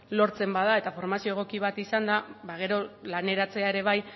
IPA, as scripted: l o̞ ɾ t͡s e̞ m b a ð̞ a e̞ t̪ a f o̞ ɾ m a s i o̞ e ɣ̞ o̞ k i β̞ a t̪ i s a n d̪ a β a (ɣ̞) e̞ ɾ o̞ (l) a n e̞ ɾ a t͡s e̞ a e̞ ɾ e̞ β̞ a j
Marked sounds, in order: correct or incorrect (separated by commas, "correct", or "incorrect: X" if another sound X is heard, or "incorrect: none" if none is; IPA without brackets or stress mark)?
correct, correct